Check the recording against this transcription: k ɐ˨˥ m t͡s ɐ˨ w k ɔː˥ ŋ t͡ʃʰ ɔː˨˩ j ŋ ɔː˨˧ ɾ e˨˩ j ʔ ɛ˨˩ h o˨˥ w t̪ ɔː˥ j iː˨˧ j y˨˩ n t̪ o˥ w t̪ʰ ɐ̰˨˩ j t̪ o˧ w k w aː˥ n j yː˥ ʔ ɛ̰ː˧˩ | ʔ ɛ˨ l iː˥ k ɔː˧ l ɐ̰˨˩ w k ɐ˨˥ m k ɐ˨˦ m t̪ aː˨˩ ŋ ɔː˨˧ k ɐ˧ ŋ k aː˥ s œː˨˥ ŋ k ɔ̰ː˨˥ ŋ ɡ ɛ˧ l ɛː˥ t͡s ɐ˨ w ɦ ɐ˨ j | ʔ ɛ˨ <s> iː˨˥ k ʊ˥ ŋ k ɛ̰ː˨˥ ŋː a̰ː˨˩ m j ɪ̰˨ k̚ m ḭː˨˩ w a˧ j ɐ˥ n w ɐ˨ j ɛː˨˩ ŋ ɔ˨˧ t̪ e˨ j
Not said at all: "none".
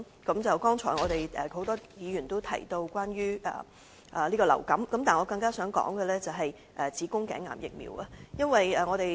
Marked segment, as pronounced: t͡s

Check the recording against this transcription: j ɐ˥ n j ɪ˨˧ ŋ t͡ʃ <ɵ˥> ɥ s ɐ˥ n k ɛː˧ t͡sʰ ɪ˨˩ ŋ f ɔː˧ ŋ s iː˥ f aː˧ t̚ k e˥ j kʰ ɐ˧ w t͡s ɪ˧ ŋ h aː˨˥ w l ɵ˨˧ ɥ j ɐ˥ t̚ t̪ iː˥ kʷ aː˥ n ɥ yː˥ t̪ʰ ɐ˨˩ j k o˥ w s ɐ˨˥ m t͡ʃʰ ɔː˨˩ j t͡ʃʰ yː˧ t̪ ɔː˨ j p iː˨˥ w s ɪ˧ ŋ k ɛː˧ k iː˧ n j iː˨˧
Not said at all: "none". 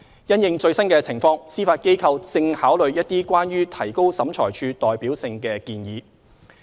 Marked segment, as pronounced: ɵ˧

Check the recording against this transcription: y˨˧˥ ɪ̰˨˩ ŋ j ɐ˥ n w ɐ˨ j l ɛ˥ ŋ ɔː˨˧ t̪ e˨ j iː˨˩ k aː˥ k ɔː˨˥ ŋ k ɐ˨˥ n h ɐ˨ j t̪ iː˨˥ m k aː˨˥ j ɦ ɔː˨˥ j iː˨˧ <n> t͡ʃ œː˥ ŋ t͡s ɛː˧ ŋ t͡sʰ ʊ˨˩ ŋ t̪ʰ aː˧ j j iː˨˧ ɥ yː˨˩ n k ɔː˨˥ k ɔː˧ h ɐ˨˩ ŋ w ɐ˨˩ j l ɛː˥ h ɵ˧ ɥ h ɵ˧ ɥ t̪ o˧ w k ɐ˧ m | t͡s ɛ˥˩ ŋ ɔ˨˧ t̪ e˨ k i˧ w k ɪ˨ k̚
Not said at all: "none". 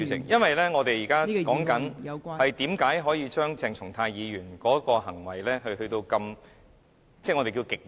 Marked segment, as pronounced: none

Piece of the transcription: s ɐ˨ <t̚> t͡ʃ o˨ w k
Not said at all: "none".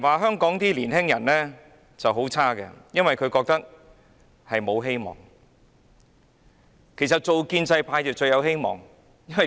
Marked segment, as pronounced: t̚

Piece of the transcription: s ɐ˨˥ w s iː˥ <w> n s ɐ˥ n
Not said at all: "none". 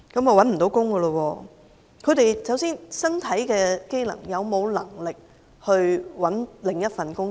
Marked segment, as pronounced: none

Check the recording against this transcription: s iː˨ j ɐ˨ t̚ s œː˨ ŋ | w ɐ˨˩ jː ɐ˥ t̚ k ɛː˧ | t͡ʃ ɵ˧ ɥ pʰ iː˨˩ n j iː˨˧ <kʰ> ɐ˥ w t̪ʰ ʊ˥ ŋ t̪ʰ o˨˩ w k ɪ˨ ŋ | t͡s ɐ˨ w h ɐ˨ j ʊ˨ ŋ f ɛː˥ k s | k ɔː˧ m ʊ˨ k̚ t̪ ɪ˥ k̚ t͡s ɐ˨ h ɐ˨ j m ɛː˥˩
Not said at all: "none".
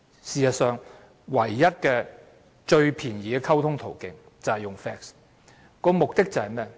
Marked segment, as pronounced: kʰ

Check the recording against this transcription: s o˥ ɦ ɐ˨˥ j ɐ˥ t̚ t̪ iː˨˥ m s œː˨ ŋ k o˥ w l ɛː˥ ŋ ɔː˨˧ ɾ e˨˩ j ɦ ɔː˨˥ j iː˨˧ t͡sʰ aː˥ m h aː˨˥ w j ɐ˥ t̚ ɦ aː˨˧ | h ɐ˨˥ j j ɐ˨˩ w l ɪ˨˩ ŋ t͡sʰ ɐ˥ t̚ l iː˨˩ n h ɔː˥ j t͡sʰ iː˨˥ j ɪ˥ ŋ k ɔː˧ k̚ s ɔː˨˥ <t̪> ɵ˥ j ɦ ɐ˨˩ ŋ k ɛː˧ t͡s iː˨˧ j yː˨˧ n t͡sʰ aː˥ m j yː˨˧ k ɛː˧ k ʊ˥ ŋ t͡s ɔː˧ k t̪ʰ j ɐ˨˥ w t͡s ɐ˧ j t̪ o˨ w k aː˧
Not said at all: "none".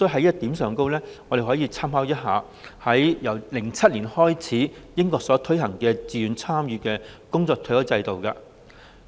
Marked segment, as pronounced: t̪ʰ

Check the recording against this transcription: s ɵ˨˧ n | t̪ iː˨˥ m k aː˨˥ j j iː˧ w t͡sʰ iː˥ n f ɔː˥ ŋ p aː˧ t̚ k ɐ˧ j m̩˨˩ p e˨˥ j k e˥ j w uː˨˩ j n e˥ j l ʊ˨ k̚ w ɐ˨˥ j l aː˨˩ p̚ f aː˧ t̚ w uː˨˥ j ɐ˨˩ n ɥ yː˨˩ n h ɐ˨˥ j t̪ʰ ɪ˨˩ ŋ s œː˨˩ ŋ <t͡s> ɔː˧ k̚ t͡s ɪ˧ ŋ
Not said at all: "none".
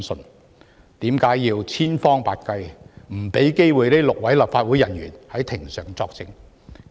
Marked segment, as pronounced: t͡s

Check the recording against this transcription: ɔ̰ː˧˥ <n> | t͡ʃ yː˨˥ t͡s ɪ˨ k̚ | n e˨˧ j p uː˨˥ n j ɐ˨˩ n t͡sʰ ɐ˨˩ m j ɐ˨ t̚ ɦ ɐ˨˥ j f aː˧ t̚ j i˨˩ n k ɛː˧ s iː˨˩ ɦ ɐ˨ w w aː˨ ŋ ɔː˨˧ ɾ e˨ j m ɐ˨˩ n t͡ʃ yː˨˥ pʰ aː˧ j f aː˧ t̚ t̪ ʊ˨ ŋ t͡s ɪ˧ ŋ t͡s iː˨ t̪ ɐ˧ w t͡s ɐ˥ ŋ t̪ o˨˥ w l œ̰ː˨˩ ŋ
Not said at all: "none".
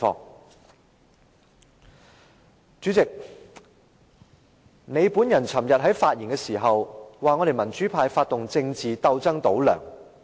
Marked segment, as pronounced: ŋ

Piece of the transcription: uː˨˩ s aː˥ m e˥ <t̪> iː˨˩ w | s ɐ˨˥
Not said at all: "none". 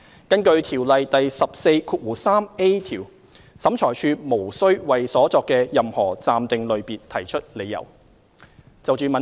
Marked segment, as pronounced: t̪ʰ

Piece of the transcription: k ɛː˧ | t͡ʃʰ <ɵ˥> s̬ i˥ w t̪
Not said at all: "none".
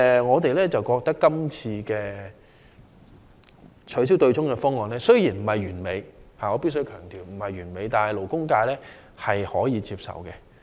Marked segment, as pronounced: ɵ˨˥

